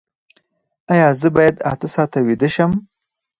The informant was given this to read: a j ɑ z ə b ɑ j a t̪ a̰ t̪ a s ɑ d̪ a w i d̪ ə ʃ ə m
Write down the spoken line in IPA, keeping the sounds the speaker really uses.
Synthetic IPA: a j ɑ z ə b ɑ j a d̪ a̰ t̪ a s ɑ t̪ a w i d̪ ə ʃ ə m